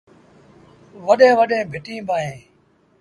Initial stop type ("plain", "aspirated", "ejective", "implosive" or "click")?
implosive